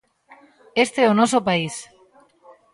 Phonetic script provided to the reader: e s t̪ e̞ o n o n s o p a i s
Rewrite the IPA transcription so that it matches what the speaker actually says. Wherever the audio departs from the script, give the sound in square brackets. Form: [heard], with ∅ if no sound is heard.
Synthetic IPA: e s t̪ e̞ o n o [∅] s o p a i s